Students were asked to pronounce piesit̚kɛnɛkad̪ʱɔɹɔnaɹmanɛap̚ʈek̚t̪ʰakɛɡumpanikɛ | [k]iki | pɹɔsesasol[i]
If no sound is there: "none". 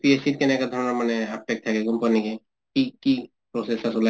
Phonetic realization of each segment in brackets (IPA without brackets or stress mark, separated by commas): k, a